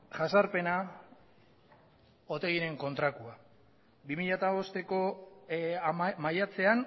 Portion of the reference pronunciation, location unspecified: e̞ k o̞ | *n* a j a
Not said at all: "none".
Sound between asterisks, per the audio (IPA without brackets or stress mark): m